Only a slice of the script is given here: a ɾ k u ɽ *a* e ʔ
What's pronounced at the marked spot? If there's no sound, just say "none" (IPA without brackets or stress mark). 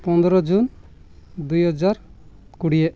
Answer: i